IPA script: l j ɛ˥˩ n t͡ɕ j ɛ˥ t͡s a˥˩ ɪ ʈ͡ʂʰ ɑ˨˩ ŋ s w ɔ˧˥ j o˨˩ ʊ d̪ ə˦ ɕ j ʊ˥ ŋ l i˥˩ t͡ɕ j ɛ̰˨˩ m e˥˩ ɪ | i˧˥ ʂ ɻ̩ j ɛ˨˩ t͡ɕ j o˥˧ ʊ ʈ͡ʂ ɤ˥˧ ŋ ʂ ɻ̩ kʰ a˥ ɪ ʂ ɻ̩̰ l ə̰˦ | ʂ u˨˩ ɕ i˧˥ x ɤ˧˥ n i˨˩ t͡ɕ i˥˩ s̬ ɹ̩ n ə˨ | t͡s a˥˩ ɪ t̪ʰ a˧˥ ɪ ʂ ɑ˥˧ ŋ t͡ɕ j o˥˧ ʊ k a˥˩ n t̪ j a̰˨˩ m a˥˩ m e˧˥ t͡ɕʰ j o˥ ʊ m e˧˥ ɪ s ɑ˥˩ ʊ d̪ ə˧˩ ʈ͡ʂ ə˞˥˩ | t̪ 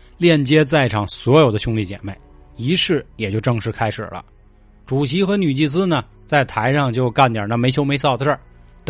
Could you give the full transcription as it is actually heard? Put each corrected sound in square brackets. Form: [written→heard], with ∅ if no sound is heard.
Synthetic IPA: l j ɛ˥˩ n t͡ɕ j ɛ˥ t͡s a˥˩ ɪ ʈ͡ʂʰ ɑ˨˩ ŋ s w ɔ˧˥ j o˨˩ ʊ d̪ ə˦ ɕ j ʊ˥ ŋ l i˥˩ t͡ɕ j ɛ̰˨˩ m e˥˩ ɪ | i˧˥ ʂ ɻ̩ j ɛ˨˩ t͡ɕ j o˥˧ ʊ ʈ͡ʂ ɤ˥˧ ŋ ʂ ɻ̩ kʰ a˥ ɪ ʂ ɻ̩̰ l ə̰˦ | [ʂ→ʈ͡ʂ] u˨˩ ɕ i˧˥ x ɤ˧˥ n [i˨˩→y˨˩] t͡ɕ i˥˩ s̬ ɹ̩ n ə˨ | t͡s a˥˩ ɪ t̪ʰ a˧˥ ɪ ʂ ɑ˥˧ ŋ t͡ɕ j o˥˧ ʊ k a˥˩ n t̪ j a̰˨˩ [m→n] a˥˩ m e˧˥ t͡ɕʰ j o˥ ʊ m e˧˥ ɪ s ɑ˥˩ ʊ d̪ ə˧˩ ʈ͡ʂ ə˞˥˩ | t̪